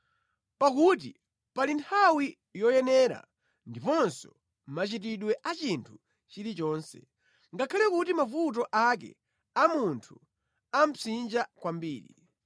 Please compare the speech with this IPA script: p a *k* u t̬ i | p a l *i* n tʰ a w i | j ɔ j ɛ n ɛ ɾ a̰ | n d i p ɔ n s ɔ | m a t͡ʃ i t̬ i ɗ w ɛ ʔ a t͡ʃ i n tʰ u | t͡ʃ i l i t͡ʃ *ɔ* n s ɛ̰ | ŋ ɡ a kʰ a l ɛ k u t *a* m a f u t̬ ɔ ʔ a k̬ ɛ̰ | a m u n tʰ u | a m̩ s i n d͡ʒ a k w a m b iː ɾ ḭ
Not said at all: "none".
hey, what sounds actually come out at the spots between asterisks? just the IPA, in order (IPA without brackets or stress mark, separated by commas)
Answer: k, i, ɔː, i